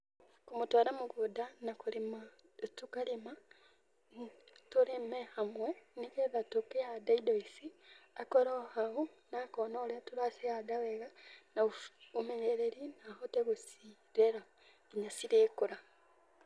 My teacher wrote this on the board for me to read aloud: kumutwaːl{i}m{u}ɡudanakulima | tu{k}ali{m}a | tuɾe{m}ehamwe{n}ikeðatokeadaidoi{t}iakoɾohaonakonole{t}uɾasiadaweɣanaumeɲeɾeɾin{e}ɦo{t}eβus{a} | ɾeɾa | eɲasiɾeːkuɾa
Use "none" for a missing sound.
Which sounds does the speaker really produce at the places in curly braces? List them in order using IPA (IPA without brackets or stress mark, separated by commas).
a, u, k, m, m, n, s, t, a, t, i